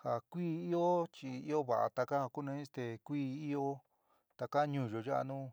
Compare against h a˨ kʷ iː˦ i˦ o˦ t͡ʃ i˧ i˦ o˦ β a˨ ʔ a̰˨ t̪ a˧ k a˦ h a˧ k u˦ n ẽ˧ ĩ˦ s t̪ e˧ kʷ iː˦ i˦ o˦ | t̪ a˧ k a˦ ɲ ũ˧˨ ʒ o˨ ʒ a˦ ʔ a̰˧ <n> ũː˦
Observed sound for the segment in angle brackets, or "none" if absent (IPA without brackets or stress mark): n